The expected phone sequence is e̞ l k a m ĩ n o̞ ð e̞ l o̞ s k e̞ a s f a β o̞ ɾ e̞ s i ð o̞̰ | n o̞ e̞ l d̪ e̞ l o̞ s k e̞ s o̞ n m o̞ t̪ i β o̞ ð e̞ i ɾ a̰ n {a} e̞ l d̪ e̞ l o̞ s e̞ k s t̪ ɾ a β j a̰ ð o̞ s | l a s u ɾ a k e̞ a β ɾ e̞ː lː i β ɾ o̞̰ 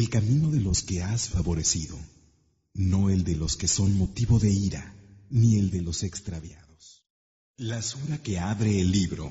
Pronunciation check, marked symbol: incorrect: i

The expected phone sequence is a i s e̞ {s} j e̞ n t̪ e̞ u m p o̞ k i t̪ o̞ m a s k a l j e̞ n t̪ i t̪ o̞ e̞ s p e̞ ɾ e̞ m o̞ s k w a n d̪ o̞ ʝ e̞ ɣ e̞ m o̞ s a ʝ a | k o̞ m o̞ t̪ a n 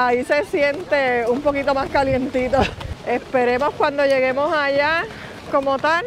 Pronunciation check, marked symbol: correct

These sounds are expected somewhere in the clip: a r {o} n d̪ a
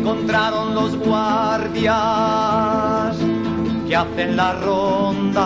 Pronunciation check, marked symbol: correct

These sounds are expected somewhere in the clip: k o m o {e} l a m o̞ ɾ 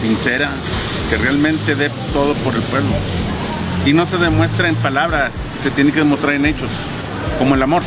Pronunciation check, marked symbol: correct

